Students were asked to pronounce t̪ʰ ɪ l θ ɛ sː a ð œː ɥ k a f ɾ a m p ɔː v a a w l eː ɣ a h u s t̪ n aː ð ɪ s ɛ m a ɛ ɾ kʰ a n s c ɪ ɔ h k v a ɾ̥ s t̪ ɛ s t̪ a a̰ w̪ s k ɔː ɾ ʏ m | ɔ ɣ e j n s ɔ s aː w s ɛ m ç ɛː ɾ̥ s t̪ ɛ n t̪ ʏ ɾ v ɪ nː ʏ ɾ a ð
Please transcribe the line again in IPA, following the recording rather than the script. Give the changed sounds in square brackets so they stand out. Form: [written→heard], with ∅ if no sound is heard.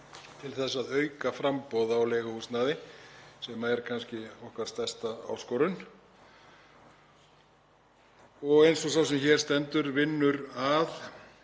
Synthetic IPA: t̪ʰ ɪ l θ ɛ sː a ð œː ɥ k a f ɾ a m p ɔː [v→ð] a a w l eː ɣ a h u s t̪ n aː ð ɪ s ɛ m a ɛ ɾ kʰ a n s c ɪ ɔ h k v a ɾ̥ s t̪ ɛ s t̪ a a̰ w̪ s k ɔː ɾ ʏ [m→n] | ɔ ɣ e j n s ɔ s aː w s ɛ m ç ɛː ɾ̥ s t̪ ɛ n t̪ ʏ ɾ v ɪ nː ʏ ɾ a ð

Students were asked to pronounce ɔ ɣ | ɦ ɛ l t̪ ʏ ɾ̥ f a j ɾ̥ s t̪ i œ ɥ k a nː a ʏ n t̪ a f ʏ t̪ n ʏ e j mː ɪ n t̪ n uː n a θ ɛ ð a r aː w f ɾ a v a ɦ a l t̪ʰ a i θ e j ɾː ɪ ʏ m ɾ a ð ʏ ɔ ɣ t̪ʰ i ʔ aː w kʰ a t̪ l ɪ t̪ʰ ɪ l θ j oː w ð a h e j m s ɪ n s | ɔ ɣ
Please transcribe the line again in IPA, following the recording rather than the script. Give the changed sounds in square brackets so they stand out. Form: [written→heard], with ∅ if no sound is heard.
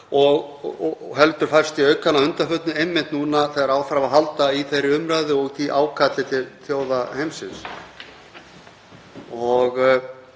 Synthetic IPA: ɔ ɣ | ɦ ɛ l t̪ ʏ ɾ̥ f a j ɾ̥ s t̪ i œ ɥ k a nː a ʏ n t̪ a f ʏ t̪ n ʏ e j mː ɪ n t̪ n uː n a θ ɛ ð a [r→ɾ] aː w f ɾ a v a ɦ a l [t̪ʰ→t̪] a i θ e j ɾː ɪ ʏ m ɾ a ð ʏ ɔ ɣ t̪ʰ i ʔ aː w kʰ a t̪ l ɪ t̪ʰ ɪ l θ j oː w ð a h e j m s ɪ n s | ɔ ɣ

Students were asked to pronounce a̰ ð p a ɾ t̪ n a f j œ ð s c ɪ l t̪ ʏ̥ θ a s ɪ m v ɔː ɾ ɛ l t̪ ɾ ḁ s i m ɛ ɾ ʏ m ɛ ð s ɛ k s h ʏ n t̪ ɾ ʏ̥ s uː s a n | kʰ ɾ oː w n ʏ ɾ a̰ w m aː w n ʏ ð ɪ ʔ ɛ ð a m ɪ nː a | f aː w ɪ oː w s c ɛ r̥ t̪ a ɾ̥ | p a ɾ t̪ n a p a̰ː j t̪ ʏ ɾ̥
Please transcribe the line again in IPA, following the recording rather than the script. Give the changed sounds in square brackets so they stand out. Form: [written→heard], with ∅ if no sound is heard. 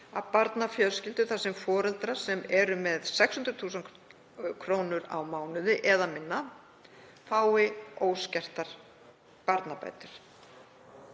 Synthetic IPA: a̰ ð p a ɾ t̪ n a f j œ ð s c ɪ l t̪ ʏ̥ θ a s ɪ m [v→f] ɔː ɾ ɛ l t̪ ɾ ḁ s [i→ɛ] m ɛ ɾ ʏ m ɛ ð s ɛ k s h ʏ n t̪ ɾ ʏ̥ [s→θ] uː s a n | kʰ ɾ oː w n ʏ ɾ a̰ w m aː w n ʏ ð ɪ ʔ ɛ ð a m ɪ nː a | f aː w ɪ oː w s c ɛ r̥ t̪ a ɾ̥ | p a ɾ t̪ n a p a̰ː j t̪ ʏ ɾ̥

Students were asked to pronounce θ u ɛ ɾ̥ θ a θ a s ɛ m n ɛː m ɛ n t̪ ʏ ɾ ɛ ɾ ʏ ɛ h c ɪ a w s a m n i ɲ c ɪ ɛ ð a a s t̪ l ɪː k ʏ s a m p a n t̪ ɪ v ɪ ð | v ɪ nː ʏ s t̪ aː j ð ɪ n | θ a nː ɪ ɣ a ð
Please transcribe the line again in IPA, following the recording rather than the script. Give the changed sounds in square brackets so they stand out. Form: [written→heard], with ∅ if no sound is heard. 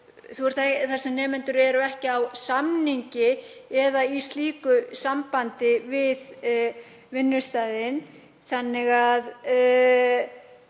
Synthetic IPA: θ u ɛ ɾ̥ θ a θ a s ɛ m n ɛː m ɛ n t̪ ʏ ɾ ɛ ɾ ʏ ɛ h c ɪ a w s a m n i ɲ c ɪ ɛ ð a [a→i] s t̪ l [ɪː→iː] k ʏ s a m p a n t̪ ɪ v ɪ ð | v ɪ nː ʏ s t̪ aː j ð ɪ n | θ a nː ɪ ɣ a ð

